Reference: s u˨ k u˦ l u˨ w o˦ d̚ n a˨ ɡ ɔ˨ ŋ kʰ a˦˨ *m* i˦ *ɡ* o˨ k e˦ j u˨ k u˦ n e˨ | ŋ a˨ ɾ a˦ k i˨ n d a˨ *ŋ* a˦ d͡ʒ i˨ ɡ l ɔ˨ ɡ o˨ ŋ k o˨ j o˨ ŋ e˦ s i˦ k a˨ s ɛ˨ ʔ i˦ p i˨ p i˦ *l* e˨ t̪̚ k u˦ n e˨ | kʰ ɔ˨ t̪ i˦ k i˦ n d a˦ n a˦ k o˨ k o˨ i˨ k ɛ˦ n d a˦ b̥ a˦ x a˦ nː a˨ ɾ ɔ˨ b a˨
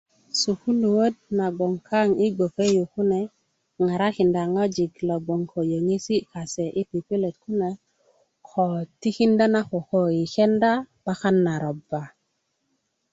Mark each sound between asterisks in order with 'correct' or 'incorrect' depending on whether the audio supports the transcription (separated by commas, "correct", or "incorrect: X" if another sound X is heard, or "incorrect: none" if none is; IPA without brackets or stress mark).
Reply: incorrect: ŋ, correct, correct, correct